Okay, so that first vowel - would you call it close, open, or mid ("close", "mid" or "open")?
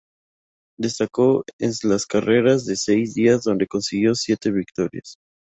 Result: mid